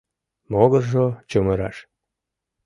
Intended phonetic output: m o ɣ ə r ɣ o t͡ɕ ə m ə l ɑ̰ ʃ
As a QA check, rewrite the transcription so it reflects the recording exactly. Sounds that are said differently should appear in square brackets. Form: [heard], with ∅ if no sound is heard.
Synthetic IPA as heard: m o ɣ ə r [ʒ] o t͡ɕ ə m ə [ɾ] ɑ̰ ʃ